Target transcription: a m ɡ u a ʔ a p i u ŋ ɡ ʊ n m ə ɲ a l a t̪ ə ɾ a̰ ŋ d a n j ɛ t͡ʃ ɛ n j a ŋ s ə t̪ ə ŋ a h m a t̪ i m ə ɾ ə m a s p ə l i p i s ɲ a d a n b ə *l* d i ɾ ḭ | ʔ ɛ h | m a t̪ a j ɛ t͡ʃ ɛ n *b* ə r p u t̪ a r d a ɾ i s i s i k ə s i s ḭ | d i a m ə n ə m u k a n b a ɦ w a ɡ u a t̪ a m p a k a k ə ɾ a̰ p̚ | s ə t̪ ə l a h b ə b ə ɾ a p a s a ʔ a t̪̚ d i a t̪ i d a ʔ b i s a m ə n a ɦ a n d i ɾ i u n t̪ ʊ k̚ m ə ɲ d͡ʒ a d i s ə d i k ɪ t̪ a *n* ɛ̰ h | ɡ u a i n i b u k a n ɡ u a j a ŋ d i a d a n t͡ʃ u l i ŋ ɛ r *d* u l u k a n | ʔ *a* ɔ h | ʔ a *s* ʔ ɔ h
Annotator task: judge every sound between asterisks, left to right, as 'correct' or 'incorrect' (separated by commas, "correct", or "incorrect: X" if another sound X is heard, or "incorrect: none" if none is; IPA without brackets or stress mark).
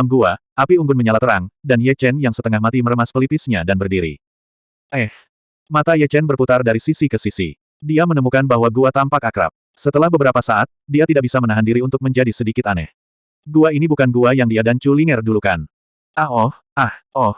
incorrect: r, correct, correct, correct, correct, incorrect: h